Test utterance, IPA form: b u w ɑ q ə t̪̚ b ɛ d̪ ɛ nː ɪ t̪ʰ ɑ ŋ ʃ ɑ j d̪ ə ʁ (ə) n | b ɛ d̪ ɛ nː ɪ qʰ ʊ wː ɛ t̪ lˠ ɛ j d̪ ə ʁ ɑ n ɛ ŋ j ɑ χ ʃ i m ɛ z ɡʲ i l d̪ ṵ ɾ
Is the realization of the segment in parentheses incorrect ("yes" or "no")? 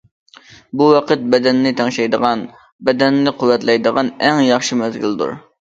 yes